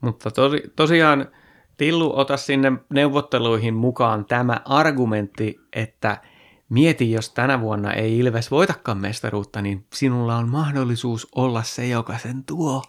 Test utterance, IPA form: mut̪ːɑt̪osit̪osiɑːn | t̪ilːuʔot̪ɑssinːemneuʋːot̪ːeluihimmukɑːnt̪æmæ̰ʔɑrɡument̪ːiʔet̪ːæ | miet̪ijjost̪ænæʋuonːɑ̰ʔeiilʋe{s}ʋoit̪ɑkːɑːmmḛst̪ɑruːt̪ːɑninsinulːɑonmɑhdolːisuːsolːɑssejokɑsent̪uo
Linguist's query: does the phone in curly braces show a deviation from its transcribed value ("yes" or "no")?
no